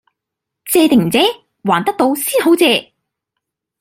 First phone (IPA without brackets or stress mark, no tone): t͡s